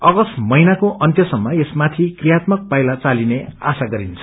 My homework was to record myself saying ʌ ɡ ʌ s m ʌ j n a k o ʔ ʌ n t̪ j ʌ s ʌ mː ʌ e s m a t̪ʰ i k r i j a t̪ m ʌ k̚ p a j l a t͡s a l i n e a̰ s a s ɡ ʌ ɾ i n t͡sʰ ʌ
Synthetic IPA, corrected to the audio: ʌ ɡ ʌ s m ʌ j n a k o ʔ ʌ n t̪ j ʌ s ʌ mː ʌ e s m a t̪ʰ i k r i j a t̪ m ʌ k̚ p a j l a t͡s a l i n e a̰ s a ɡ ʌ ɾ i n t͡sʰ ʌ